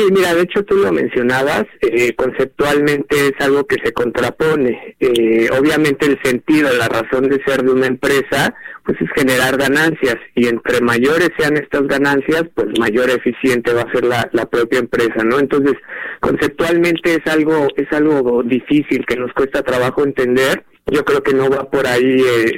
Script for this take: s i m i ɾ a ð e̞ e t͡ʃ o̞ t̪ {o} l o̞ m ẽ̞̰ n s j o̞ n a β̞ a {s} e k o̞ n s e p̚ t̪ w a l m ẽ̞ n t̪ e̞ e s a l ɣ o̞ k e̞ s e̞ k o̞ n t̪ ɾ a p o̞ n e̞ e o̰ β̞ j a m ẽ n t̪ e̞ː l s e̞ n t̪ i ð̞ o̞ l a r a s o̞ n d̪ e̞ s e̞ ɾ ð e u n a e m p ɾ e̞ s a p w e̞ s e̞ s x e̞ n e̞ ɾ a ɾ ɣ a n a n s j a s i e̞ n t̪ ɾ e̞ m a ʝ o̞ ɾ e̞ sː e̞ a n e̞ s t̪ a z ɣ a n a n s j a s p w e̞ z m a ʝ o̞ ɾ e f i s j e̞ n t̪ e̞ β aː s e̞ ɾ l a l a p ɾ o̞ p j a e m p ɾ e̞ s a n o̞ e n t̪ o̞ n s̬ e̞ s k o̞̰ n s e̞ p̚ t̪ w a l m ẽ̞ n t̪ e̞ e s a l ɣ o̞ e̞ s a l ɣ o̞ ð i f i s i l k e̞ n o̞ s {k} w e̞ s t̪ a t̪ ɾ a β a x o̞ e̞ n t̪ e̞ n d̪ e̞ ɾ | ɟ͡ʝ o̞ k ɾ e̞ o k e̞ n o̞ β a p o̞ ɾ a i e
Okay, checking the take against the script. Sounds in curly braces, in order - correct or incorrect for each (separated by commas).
incorrect, correct, correct